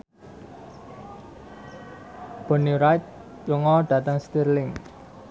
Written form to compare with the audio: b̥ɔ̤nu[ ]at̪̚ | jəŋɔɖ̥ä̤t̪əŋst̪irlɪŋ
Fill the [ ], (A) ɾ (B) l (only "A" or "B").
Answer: A